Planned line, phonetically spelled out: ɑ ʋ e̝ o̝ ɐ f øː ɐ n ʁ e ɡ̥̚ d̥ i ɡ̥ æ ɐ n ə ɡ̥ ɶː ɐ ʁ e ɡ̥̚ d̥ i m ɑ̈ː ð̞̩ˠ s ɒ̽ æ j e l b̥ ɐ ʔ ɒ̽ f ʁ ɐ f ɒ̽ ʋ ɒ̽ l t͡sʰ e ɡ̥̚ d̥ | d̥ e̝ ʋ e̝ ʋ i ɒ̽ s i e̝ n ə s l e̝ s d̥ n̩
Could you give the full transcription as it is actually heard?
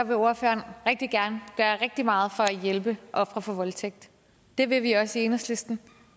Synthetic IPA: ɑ ʋ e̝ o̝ ɐ f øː ɐ n ʁ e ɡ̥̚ d̥ i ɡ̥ æ ɐ n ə ɡ̥ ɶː ɐ ʁ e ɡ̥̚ d̥ i m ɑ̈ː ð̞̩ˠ f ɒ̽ æ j e l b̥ ə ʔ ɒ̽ f ʁ ɐ f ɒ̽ ʋ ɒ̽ l t͡sʰ e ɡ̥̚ d̥ | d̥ e̝ ʋ e̝ ʋ i ɒ̽ s i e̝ n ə s l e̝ s d̥ n̩